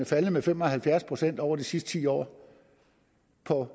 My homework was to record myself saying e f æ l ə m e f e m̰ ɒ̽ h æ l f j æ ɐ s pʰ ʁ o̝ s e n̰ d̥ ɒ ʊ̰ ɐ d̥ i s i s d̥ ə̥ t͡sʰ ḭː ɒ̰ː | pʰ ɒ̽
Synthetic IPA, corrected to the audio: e f æ l ə m e f e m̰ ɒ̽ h æ l f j æ ɐ s pʰ ʁ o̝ s e n̰ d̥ ɒ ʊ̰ ɐ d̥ i s i s d̥ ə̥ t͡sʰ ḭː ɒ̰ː | pʰ ɒ̽